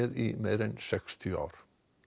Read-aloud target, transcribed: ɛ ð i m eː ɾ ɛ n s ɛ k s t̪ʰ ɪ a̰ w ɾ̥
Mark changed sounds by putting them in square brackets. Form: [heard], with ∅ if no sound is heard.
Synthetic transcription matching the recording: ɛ ð i m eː ɾ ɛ n s ɛ k s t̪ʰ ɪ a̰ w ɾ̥